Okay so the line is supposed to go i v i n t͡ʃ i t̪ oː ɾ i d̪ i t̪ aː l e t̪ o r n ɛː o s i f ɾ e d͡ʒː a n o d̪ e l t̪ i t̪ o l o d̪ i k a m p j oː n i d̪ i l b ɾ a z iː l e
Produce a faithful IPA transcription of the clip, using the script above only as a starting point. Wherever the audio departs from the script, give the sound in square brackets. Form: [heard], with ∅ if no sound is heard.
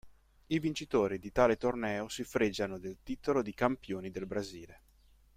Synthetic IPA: i v i n t͡ʃ i t̪ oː ɾ i d̪ i t̪ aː l e t̪ o r n ɛː o s i f ɾ e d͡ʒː a n o d̪ e l t̪ i t̪ o l o d̪ i k a m p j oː n i d̪ [e] l b ɾ a z iː l e